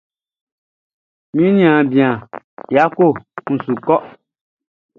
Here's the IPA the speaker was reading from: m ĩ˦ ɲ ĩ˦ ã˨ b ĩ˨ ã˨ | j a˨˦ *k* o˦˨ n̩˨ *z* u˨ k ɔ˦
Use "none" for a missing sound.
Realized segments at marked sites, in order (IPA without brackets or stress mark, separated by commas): k, s